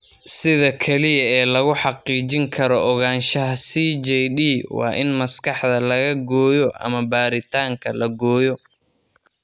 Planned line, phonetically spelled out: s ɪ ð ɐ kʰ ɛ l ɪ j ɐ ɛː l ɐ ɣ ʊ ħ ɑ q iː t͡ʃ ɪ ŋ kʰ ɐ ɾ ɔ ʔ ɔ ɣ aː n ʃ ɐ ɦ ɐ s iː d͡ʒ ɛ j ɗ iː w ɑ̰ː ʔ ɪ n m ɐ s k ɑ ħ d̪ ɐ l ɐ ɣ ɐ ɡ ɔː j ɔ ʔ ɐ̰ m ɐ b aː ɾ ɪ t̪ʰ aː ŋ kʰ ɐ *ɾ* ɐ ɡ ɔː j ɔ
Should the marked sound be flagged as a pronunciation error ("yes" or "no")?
yes